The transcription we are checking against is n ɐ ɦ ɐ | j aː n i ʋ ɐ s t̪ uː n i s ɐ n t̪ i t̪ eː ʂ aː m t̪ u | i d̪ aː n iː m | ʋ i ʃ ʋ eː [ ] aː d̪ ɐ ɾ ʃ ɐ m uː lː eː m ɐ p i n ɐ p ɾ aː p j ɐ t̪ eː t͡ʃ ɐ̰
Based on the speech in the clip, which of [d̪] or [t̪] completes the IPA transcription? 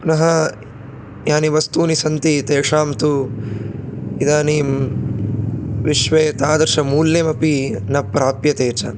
t̪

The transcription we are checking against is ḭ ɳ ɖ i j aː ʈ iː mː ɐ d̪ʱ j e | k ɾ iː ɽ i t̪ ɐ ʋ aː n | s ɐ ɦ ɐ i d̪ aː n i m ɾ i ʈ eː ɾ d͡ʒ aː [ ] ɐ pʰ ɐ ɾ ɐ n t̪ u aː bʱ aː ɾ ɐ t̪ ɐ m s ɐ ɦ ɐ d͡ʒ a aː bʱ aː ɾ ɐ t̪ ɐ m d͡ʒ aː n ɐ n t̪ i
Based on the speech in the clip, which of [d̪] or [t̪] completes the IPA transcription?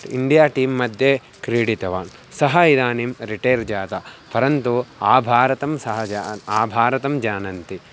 t̪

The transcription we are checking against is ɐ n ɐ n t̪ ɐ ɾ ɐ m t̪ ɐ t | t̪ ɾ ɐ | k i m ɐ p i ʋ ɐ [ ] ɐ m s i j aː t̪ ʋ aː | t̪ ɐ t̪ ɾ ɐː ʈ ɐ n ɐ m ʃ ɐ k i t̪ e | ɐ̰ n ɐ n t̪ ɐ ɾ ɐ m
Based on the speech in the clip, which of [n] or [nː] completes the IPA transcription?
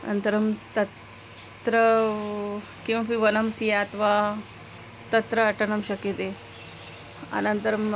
n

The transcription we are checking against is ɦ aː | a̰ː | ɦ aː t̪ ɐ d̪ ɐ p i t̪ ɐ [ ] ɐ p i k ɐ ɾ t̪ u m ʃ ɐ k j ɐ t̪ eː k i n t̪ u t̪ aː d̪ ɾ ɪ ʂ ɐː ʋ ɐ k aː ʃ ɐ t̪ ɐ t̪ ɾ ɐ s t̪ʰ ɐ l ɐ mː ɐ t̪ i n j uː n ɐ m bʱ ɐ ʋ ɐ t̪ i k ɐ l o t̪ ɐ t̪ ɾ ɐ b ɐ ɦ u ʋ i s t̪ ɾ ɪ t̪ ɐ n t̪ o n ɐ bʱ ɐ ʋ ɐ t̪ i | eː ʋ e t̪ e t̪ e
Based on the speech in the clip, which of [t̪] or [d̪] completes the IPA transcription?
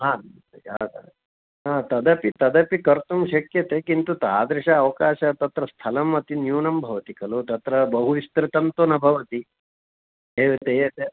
d̪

